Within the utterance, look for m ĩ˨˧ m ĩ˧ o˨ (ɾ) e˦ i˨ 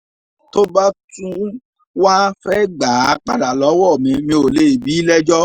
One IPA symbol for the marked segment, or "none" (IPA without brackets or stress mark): l